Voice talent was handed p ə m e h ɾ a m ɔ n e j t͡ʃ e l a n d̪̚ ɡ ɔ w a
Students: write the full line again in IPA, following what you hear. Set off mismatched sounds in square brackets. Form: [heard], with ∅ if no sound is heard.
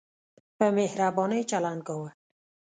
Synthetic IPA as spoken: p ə m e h ɾ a [b] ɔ n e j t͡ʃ [a] l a n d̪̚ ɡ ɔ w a